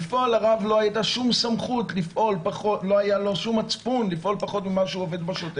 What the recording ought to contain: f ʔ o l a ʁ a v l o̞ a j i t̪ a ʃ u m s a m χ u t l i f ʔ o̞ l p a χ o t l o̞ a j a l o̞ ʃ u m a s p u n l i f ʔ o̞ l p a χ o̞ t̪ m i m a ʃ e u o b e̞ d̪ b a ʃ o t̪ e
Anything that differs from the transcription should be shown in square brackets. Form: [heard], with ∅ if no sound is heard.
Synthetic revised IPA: f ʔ o l a ʁ a v l o̞ a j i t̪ a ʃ u m s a m χ u t l i f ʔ o̞ l p a χ o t l o̞ a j a l o̞ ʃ u m a [t͡s] p u n l i f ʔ o̞ l p a χ o̞ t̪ m i m a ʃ e u o [v] e̞ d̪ b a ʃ o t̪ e